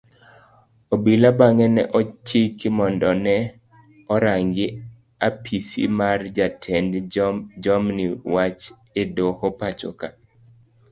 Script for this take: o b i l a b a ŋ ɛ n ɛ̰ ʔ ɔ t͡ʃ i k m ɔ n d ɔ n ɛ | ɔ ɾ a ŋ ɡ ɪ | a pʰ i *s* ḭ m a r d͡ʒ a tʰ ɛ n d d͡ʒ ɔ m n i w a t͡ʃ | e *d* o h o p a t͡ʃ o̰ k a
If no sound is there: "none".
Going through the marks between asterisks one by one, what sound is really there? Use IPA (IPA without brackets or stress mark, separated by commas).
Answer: s, d